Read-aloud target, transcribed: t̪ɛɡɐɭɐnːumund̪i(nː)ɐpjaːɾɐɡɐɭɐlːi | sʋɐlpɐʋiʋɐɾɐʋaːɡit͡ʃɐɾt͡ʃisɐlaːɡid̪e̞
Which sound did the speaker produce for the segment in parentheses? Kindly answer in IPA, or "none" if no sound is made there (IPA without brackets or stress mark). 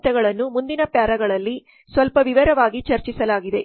n